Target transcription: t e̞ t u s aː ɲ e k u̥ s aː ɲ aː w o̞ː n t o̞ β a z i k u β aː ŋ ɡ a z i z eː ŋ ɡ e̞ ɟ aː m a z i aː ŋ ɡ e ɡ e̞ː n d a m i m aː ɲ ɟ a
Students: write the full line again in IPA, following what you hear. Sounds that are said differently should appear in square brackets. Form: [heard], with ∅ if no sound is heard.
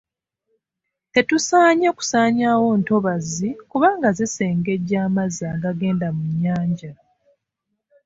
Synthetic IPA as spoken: t e̞ t u s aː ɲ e k u̥ s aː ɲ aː w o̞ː n t o̞ β a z i k u β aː ŋ ɡ a z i [s] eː ŋ ɡ e̞ ɟ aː m a z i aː ŋ ɡ [a] ɡ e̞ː n d a m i [ɲ] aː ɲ ɟ a